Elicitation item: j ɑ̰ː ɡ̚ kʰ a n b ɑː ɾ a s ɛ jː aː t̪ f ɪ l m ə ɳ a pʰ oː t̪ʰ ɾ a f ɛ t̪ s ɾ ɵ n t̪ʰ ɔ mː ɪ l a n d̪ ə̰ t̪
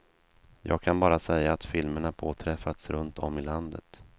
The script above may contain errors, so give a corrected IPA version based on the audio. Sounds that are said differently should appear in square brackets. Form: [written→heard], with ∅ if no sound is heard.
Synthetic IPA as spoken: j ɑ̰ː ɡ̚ kʰ a n b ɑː ɾ a s ɛ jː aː t̪ f ɪ l m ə ɳ a pʰ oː t̪ʰ ɾ [a→ɛ] f [ɛ→a] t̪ s ɾ ɵ n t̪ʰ ɔ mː ɪ l a n d̪ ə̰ t̪